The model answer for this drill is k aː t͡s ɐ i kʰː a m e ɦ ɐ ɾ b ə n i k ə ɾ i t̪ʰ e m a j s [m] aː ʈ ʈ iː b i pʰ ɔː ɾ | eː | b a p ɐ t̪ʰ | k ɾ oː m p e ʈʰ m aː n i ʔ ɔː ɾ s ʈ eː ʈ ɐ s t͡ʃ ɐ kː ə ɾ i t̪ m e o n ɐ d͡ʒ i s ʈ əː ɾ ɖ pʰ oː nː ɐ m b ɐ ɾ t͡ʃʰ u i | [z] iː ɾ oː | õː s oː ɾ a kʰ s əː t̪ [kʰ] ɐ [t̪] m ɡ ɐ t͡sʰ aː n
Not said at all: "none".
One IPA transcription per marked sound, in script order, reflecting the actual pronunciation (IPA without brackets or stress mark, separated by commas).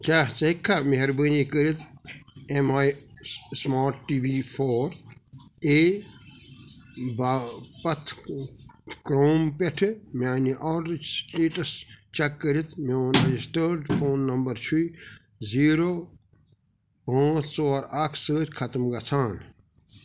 m, z, kʰ, t̪